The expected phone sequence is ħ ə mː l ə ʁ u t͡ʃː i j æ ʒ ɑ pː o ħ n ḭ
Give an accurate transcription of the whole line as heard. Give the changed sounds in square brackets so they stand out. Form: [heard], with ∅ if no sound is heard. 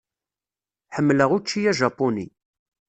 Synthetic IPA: ħ ə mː l ə ʁ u t͡ʃː i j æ ʒ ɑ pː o [∅] n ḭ